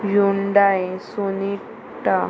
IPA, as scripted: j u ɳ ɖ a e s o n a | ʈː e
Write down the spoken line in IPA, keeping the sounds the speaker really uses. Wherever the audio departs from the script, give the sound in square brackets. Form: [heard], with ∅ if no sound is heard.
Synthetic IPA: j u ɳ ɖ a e s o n [i] | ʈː [a]